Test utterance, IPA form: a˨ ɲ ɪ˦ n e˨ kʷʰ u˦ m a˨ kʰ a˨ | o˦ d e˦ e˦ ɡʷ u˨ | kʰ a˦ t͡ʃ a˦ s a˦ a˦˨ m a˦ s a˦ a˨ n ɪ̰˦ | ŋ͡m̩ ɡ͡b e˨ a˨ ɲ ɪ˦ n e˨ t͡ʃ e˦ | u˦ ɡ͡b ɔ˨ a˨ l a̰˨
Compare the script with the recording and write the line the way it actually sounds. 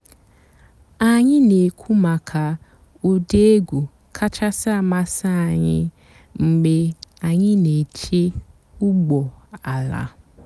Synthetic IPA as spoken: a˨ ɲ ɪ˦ n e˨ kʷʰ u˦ m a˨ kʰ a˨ | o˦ d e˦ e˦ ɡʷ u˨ | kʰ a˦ t͡ʃ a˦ s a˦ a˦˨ m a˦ s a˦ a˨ ɲ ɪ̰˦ | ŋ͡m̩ ɡ͡b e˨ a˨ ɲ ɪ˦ n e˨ t͡ʃ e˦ | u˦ ɡ͡b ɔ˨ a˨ l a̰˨

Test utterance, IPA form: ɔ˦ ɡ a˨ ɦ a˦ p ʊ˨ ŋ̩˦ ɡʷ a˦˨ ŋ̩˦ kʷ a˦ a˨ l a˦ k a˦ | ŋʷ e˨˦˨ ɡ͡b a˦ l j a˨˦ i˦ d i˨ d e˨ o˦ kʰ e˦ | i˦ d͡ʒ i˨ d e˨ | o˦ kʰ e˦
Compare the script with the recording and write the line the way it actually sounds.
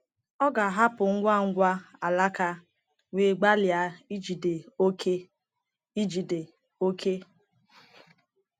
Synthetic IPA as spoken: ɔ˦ ɡ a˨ ɦ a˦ p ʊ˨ ŋ̩˦ ɡʷ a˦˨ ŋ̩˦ ɡʷ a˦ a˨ l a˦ k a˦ | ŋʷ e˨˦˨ ɡ͡b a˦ l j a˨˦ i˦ d͡ʒ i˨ d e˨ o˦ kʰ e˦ | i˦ d͡ʒ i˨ d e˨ | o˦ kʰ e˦

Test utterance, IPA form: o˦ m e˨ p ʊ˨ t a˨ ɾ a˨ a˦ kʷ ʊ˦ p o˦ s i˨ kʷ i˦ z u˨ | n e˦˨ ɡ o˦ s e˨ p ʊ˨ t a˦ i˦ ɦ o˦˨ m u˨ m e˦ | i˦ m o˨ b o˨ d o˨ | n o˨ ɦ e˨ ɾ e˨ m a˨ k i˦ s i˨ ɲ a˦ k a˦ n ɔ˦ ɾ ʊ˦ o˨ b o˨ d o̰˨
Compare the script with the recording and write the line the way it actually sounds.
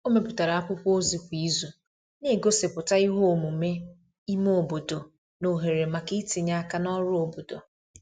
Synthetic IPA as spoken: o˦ m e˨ p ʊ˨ t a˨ ɾ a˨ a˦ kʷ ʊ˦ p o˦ z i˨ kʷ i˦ z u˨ | n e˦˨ ɡ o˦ s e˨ p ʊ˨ t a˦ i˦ ɦ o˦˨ m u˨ m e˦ | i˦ m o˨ b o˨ d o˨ | n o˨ ɦ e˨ ɾ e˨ m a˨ k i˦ t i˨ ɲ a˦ k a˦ n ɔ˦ ɾ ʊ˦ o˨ b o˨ d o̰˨

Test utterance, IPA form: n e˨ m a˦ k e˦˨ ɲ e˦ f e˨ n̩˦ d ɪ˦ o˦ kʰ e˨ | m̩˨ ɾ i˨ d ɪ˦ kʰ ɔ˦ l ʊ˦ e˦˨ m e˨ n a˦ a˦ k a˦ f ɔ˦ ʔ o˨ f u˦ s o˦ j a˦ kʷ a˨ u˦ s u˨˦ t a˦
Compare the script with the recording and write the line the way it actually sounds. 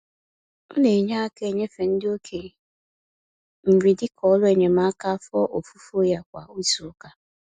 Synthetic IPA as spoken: n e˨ ɲ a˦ k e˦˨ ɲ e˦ f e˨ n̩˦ d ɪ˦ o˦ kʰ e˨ | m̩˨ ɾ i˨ d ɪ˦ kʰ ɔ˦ l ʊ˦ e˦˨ ɲ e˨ m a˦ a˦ k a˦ f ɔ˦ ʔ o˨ f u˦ f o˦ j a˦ kʷ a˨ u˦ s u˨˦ k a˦

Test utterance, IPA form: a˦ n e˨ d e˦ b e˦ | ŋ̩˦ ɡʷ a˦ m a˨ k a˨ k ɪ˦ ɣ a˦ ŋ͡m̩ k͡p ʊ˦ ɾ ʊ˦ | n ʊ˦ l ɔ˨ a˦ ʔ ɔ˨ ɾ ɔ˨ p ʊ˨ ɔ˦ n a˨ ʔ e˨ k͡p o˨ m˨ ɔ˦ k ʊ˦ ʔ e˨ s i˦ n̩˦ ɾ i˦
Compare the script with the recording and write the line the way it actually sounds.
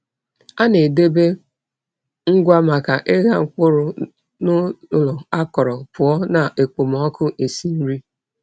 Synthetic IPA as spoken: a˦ n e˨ d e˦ b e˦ | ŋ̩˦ ɡʷ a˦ m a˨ k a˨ ʔ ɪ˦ ɣ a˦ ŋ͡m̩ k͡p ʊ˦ ɾ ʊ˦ | n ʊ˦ l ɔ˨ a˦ k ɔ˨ ɾ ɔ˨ p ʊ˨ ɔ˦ n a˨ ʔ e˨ k͡p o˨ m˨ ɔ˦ k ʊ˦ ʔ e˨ s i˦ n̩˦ ɾ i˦

